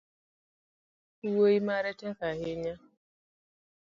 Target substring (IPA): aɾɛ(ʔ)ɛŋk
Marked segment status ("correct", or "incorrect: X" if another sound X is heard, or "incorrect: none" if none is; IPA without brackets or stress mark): incorrect: t